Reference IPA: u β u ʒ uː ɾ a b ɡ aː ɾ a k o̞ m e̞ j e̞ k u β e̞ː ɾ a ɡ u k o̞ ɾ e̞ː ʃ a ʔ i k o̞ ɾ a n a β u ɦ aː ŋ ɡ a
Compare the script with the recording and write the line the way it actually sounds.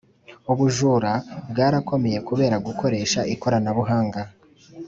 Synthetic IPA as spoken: u β u ʒ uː ɾ a b ɡ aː ɾ a k o̞ m e̞ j e̞ k u β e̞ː ɾ a ɡ u k o̞ ɾ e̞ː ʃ a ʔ i k o̞ ɾ a n a β u ɦ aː ŋ ɡ a